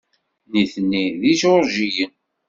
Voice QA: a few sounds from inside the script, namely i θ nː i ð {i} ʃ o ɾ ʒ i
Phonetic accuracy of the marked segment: correct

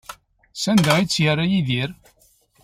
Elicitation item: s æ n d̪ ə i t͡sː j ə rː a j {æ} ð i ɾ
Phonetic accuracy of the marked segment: incorrect: i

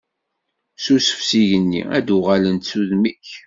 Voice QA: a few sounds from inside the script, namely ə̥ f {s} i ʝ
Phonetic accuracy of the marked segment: correct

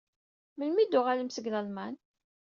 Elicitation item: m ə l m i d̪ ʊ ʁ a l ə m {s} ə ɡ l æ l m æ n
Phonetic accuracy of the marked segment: correct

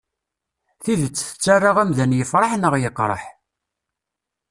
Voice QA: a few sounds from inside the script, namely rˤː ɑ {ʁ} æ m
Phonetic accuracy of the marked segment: correct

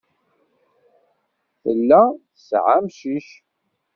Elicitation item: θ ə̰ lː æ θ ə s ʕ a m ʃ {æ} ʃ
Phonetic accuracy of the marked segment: incorrect: i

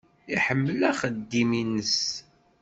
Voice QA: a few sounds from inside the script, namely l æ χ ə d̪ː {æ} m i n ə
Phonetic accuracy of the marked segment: incorrect: i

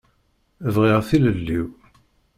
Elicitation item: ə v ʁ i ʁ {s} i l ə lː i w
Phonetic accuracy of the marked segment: incorrect: θ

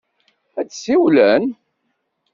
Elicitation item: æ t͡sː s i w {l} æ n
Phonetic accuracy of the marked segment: correct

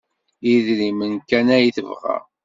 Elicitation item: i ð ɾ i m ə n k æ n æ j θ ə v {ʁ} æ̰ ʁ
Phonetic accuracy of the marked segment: correct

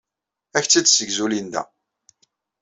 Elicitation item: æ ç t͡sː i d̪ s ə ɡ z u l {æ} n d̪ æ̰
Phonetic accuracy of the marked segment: incorrect: i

